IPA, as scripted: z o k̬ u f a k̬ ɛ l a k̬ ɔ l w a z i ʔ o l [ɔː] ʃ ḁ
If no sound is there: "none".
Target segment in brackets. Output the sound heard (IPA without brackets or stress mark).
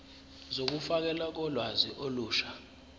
uː